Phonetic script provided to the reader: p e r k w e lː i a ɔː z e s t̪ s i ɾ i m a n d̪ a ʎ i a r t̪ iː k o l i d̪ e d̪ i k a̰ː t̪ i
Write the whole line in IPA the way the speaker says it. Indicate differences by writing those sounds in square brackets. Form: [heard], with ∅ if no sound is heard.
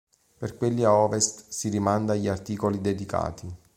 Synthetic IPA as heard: p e r k w e lː i a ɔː [v] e s t̪ s i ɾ i m a n d̪ a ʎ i a r t̪ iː k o l i d̪ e d̪ i k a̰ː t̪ i